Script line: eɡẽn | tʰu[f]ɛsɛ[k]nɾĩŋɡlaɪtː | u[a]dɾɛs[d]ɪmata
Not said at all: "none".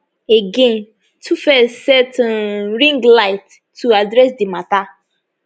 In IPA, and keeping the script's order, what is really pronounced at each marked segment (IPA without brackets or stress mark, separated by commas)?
f, t, a, d